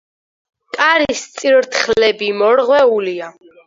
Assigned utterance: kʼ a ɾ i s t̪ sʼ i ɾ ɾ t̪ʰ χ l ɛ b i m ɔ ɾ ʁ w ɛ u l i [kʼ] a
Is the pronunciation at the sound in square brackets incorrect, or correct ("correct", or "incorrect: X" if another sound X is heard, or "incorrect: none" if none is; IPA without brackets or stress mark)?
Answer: incorrect: none